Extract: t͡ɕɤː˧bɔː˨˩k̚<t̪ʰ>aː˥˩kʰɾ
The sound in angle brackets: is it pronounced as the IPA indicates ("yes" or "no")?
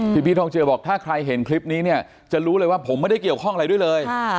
yes